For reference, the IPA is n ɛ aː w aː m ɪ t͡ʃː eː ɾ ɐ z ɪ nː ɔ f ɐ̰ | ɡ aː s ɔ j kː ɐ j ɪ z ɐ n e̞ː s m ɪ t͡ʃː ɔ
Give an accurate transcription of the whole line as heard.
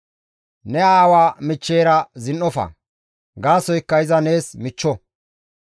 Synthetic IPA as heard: n ɛ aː w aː m ɪ t͡ʃː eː ɾ ɐ z ɪ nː ɔ f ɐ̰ | ɡ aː s ɔ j kː ɐ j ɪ z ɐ n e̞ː s m ɪ t͡ʃː ɔ